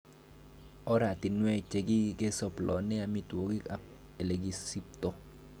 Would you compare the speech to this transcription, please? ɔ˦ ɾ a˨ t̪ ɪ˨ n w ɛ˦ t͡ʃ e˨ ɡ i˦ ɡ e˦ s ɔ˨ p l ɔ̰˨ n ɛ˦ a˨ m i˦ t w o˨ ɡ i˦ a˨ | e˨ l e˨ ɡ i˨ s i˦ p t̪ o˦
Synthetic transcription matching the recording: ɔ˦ ɾ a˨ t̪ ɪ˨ n w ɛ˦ t͡ʃ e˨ ɡ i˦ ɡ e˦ s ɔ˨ p l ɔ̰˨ n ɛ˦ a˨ m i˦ t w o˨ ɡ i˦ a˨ | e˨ l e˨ ɡ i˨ s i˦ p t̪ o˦